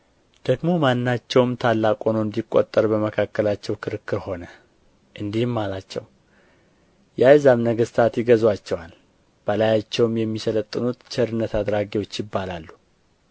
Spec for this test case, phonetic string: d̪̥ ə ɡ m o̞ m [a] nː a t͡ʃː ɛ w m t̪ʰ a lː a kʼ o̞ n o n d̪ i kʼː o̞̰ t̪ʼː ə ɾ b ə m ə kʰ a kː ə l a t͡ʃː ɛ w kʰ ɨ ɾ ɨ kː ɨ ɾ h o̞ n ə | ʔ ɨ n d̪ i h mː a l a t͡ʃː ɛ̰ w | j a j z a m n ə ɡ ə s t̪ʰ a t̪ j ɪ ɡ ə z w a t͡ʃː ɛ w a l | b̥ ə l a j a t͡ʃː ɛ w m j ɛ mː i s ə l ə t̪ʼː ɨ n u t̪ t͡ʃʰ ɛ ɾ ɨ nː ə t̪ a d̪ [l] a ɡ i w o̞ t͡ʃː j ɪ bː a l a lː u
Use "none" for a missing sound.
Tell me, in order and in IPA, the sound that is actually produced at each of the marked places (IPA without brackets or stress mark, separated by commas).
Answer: a, ɾ